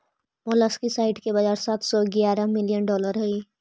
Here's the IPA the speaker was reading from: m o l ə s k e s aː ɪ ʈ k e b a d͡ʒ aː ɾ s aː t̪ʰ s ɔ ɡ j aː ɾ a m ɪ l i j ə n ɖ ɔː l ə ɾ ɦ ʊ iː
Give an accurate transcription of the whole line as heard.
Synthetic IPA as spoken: m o l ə s k i s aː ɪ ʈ k e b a d͡ʒ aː ɾ s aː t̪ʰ s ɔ ɡ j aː ɾ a m ɪ l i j ə n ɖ ɔː l ə ɾ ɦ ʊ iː